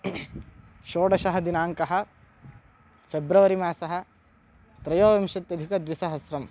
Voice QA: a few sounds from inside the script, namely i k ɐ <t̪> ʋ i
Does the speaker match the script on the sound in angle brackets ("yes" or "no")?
no